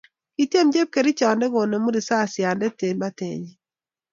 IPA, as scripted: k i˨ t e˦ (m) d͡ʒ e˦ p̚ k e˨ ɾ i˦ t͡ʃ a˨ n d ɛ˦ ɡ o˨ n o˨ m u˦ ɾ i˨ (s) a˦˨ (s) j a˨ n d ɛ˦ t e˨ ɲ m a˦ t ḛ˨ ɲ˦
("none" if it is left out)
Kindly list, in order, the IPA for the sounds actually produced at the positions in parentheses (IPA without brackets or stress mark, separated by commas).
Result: m, s, s